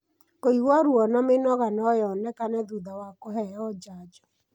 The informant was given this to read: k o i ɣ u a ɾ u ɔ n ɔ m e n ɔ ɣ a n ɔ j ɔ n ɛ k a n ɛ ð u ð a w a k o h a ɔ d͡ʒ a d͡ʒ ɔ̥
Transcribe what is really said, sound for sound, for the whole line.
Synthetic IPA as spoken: k o i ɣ w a ɾ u ɔ n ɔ m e n ɔ ɣ a n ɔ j ɔ n ɛ k a n ɛ ð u ð a w a k o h ɛ ɔ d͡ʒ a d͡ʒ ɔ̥